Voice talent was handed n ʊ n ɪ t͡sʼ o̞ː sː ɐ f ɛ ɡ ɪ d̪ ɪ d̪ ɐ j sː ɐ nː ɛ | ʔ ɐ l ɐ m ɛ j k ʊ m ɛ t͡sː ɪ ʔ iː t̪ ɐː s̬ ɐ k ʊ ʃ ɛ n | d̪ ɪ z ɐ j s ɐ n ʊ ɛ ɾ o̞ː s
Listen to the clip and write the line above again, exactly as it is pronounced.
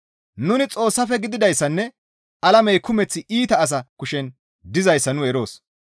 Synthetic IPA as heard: n ʊ n ɪ t͡sʼ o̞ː sː ɐ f ɛ ɡ ɪ d̪ ɪ d̪ ɐ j sː ɐ nː ɛ | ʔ ɐ l ɐ m ɛ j k ʊ m ɛ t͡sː ɪ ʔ iː t̪ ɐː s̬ ɐ k ʊ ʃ ɛ n | d̪ ɪ z ɐ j sː ɐ n ʊ ɛ ɾ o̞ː s